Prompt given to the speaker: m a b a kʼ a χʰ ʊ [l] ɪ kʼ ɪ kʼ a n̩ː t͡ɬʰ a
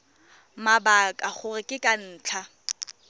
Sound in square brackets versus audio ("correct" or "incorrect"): incorrect